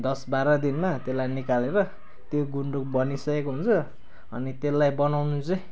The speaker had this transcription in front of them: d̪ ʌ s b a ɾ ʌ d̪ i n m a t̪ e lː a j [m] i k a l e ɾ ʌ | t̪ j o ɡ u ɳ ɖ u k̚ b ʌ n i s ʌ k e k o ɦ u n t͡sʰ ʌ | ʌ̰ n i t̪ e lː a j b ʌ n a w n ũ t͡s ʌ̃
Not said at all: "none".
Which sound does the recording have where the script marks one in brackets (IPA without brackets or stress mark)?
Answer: n